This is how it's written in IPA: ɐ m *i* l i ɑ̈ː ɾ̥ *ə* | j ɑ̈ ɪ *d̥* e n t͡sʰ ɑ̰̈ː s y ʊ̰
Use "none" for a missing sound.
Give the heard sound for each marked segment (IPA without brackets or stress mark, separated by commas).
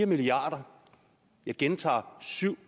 i, ɐ, ɡ̥